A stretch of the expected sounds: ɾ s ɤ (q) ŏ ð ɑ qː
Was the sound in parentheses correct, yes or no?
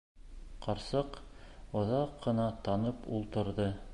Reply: yes